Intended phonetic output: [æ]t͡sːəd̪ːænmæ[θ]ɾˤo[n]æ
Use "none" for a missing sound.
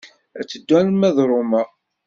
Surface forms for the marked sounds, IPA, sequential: æ, ð, m

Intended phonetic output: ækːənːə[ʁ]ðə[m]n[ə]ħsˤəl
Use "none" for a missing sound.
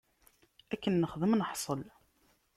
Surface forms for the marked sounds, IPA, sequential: χ, m, ə

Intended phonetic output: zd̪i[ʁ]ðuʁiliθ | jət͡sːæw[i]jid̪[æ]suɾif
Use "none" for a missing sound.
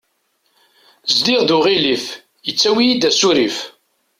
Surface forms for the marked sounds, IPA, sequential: ʁ, i, æ

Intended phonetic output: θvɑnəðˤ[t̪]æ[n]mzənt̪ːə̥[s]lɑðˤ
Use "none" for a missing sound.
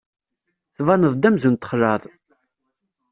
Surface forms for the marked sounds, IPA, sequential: d̪, none, χ

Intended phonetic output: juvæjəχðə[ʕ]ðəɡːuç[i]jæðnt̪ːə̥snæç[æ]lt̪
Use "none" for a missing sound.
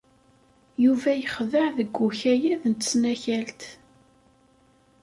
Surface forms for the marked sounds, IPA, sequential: ʕ, æ, æ

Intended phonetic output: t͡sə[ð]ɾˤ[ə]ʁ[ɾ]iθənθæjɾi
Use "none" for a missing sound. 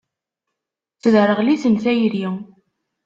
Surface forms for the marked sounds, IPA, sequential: ð, ə, l

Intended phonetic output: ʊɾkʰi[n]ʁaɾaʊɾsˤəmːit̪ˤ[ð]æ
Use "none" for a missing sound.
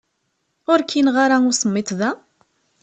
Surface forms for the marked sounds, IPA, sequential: n, ð

